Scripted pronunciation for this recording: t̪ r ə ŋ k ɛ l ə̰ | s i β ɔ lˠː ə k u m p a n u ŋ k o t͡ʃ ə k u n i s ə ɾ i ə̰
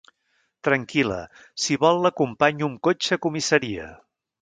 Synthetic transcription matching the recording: t̪ ɾ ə ŋ k i l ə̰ | s i β ɔ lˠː ə k u m p a ɲ u ŋ k o t͡ʃ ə k u m i s ə ɾ i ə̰